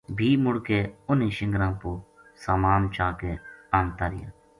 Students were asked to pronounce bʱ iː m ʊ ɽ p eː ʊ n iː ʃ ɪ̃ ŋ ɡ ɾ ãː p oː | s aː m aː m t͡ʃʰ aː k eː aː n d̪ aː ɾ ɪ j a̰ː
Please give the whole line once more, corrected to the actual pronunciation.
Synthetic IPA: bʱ iː m ʊ ɽ k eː ʊ n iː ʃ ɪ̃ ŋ ɡ ɾ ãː p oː | s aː m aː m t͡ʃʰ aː k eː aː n t̪ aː ɾ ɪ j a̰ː